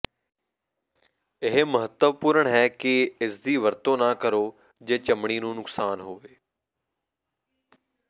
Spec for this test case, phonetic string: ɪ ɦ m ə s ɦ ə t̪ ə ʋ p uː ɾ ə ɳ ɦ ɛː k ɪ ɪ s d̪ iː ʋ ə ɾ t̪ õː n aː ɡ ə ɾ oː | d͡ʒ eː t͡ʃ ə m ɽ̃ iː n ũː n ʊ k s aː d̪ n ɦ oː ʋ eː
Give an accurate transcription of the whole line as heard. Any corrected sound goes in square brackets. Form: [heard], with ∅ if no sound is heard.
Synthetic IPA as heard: ɪ ɦ m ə [∅] ɦ ə t̪ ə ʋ p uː ɾ ə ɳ ɦ ɛː k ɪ ɪ s d̪ iː ʋ ə ɾ t̪ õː n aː [k] ə ɾ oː | d͡ʒ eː t͡ʃ ə m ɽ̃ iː n ũː n ʊ k s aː [∅] n ɦ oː ʋ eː

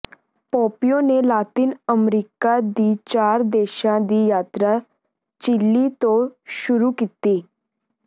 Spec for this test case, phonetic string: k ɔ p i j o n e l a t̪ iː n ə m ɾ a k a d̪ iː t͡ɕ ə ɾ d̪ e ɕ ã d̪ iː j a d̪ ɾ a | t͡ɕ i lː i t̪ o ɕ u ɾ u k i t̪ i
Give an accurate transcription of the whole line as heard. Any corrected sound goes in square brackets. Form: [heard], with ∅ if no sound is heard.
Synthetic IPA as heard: [p] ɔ p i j o n e l a t̪ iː n ə m ɾ [i] k a d̪ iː t͡ɕ [a] ɾ d̪ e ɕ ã d̪ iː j a [t̪] ɾ a | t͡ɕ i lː i t̪ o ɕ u ɾ u k i t̪ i

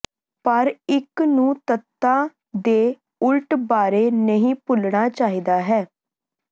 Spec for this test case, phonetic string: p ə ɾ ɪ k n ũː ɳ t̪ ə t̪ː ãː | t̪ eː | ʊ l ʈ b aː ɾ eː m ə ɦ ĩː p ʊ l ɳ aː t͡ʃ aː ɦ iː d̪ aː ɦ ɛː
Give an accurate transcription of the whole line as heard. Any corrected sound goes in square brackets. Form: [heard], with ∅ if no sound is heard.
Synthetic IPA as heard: p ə ɾ ɪ k n ũː [∅] t̪ ə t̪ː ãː | [d̪] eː | ʊ l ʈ b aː ɾ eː [n] ə ɦ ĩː p ʊ l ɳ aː t͡ʃ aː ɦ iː d̪ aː ɦ ɛː

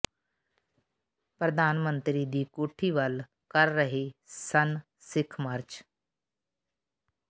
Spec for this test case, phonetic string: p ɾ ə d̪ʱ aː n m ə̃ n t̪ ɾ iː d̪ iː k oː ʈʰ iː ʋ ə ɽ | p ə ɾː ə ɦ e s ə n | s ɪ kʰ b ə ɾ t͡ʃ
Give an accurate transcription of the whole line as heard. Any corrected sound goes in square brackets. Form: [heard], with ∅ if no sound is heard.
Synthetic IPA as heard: p ɾ ə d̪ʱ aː n m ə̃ n t̪ ɾ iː d̪ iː k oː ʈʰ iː ʋ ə [l] | [k] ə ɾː ə ɦ e s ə n | s ɪ kʰ [m] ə ɾ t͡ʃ

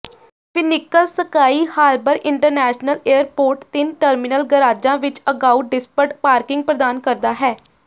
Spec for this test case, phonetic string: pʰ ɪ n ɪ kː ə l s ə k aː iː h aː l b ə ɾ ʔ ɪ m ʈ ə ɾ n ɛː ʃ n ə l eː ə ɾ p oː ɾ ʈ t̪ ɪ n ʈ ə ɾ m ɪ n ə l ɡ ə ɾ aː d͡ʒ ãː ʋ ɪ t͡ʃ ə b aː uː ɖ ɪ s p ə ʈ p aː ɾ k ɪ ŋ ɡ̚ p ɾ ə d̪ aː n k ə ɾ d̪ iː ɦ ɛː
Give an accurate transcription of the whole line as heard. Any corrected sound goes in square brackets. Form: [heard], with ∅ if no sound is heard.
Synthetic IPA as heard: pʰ ɪ n ɪ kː ə l s ə k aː iː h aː l b ə ɾ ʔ ɪ [ɳ] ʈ ə ɾ n ɛː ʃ n ə l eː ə ɾ p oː ɾ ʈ t̪ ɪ n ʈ ə ɾ m ɪ n ə l ɡ ə ɾ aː d͡ʒ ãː ʋ ɪ t͡ʃ ə [ɡ] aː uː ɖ ɪ s p ə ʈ p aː ɾ k ɪ ŋ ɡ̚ p ɾ ə d̪ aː n k ə ɾ d̪ [aː] ɦ ɛː

